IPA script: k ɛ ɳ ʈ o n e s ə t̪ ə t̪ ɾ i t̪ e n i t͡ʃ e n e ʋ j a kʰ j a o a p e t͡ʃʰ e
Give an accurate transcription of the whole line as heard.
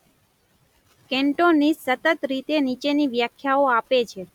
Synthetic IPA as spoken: k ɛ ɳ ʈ o n i s ə t̪ ə t̪ ɾ i t̪ e n i t͡ʃ e n i ʋ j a kʰ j a o a p e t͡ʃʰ e